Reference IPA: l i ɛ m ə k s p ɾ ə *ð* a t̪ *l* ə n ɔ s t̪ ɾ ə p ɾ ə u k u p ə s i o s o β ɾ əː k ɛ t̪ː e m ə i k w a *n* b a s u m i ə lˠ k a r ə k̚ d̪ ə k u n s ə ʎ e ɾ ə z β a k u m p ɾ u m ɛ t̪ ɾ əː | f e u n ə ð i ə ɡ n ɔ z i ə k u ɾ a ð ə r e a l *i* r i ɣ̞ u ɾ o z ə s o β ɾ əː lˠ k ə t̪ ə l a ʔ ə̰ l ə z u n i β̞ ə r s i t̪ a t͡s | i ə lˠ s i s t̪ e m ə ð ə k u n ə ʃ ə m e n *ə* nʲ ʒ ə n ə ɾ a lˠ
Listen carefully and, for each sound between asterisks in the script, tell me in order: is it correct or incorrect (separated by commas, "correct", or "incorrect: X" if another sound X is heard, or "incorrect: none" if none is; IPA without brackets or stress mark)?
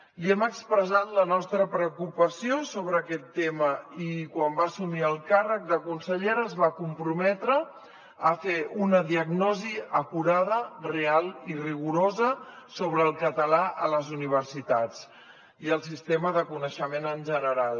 incorrect: z, correct, incorrect: m, correct, correct